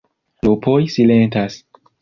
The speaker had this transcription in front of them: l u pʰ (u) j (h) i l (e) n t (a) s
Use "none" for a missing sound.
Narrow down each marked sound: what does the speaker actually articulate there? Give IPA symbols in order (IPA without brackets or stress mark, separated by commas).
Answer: o, s, e, a